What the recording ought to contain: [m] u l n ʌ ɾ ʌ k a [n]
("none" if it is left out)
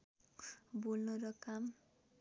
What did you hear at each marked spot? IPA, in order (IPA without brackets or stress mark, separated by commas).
b, m